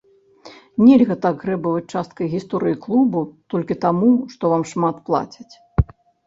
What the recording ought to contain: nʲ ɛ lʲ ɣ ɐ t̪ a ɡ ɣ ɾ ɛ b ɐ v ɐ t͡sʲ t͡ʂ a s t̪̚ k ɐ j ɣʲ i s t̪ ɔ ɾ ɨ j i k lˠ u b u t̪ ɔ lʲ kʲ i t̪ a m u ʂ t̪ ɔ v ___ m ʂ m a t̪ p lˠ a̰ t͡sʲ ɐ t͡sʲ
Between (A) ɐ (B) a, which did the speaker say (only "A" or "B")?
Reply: B